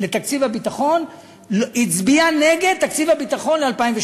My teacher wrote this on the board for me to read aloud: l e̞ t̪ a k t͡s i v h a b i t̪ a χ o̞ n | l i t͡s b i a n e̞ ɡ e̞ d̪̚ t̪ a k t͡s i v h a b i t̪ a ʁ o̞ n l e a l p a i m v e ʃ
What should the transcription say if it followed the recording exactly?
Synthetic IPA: l e̞ t̪ a k t͡s i v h a b i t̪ a χ o̞ n | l i t͡s b i a n e̞ ɡ e̞ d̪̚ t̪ a k t͡s i v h a b i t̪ a χ o̞ n l e a l p a i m v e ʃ